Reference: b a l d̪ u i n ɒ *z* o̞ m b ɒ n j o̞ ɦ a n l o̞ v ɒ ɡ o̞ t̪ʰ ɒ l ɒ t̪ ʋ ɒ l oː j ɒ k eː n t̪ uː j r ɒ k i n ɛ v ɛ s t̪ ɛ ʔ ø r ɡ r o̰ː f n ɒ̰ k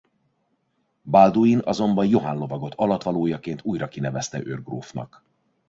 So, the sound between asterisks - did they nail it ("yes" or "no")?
yes